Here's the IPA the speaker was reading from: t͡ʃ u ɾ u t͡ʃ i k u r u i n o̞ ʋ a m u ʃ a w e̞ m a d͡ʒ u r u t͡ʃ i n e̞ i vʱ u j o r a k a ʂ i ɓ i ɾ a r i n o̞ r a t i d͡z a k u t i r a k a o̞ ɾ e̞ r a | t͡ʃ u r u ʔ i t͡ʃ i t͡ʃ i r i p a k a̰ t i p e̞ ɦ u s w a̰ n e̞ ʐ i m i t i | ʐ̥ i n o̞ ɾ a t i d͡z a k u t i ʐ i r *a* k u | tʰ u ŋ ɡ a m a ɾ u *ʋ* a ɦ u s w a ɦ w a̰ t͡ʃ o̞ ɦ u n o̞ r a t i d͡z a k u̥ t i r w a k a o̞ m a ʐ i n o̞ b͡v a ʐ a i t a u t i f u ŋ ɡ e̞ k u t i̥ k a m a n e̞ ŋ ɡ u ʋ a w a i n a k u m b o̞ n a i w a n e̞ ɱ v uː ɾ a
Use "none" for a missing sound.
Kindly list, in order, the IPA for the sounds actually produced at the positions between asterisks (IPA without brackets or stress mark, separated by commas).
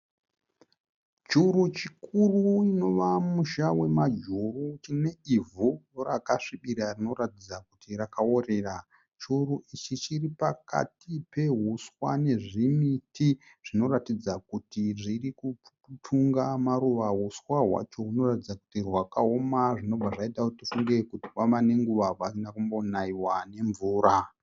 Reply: i, ʋ